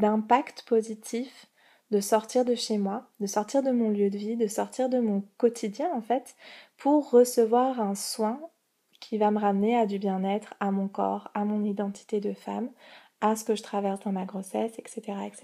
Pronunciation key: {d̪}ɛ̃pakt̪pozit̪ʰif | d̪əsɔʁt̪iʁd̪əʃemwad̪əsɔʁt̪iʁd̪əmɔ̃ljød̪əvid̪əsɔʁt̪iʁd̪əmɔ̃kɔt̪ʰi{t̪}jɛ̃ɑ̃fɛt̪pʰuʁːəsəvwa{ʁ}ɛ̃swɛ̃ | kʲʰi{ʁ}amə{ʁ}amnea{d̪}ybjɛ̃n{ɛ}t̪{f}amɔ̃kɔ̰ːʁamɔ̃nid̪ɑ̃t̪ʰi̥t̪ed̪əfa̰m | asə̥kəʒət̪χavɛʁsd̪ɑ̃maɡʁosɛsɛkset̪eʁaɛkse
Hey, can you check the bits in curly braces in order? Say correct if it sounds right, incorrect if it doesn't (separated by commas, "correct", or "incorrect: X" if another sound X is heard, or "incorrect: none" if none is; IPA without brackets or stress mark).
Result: correct, incorrect: d̪, correct, incorrect: v, correct, correct, correct, incorrect: χ